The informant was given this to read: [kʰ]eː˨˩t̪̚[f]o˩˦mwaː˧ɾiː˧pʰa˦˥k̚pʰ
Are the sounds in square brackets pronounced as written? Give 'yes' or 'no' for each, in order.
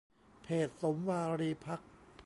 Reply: no, no

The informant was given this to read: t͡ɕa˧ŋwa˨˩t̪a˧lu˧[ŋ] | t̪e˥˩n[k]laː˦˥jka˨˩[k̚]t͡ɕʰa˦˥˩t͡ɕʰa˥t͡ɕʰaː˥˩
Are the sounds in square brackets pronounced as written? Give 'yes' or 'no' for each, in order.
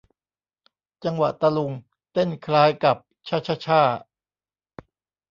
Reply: yes, no, no

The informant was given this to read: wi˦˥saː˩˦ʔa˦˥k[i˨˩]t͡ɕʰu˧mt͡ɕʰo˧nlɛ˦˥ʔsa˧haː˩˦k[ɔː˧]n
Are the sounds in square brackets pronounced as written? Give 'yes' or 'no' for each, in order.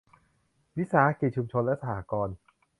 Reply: yes, yes

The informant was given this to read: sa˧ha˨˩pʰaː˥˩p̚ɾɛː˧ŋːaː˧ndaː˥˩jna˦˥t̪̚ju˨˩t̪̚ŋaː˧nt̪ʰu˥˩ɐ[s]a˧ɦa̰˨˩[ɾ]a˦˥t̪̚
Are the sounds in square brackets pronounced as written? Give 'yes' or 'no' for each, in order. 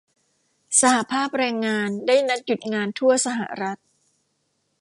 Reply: yes, yes

